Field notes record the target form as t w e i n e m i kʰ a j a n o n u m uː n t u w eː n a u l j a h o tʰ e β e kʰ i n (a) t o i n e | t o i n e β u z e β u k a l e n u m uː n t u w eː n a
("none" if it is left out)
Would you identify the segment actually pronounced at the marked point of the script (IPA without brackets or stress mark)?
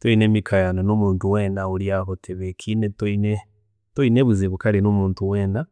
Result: e